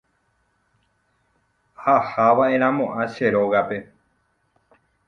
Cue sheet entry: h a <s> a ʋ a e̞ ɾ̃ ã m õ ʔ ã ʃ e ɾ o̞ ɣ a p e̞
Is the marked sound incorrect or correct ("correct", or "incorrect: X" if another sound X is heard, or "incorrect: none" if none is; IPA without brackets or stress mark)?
incorrect: h